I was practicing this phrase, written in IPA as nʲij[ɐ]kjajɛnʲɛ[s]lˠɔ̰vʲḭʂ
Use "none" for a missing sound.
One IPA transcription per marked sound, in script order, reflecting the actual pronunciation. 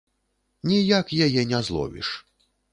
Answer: a, z

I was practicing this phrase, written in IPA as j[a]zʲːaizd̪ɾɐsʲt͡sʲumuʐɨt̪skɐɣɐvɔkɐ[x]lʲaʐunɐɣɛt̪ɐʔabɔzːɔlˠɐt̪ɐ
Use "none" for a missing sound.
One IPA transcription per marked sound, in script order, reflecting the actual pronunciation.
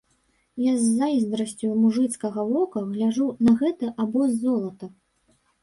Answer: a, ɣ

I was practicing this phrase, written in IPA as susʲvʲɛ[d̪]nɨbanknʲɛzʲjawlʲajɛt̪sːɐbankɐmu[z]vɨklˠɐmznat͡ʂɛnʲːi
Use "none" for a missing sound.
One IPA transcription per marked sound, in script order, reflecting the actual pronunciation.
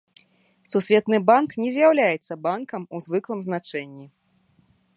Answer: t̪, z

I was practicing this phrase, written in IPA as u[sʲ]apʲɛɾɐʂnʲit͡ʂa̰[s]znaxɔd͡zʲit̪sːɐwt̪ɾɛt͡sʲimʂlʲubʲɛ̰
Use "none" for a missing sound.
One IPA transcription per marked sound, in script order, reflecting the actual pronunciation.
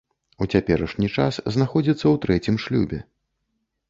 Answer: t͡sʲ, s

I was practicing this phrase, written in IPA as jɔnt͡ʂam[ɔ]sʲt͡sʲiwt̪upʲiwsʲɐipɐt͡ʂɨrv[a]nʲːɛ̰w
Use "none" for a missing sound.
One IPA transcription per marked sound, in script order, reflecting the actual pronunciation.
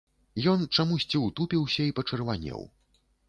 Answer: u, a

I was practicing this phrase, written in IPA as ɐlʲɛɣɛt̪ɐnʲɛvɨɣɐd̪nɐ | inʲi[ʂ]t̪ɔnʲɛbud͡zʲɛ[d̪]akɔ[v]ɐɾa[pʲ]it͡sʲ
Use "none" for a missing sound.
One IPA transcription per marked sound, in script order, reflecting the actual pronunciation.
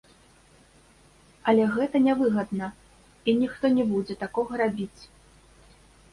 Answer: x, t̪, ɣ, bʲ

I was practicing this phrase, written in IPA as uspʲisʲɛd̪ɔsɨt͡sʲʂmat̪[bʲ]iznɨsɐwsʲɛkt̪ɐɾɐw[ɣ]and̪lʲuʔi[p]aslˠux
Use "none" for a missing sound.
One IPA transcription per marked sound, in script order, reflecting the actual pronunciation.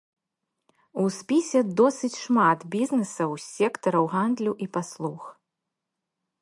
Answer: bʲ, ɣ, p

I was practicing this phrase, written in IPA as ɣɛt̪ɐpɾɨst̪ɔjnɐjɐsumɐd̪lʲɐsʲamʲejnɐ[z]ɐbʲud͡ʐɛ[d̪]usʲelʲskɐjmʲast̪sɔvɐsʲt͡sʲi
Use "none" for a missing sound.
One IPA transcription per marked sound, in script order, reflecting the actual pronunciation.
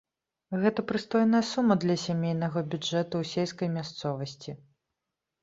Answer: ɣ, t̪

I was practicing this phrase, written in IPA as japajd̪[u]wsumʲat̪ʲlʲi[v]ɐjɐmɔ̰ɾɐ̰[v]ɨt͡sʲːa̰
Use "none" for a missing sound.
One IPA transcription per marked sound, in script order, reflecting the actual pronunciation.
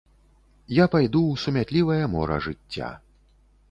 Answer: u, v, ʐ

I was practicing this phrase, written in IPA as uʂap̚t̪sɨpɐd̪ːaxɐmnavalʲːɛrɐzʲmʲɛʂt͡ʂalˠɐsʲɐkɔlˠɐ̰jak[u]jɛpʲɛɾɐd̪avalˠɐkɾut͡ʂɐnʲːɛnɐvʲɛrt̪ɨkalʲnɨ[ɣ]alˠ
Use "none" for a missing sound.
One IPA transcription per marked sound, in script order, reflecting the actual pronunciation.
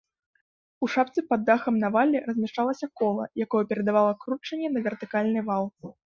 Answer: ɔ, v

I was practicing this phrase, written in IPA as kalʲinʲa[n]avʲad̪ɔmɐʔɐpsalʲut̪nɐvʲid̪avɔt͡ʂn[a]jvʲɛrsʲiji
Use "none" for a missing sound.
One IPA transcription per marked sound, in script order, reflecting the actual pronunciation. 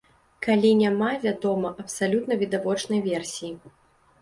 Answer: m, ɐ

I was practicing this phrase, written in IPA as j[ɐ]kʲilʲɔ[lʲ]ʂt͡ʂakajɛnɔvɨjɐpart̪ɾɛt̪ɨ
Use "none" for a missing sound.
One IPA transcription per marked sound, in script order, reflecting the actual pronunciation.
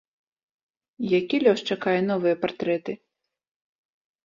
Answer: a, none

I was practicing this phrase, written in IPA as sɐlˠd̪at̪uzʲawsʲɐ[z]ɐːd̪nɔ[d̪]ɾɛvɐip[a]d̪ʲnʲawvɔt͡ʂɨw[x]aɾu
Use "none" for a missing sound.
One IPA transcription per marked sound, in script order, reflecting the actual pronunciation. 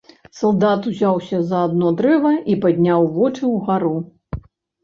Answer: z, d̪, a, ɣ

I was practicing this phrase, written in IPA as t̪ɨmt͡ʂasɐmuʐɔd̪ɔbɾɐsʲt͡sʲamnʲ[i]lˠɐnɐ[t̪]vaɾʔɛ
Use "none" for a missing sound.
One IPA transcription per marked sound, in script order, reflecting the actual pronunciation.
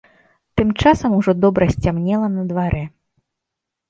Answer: ɛ, d̪

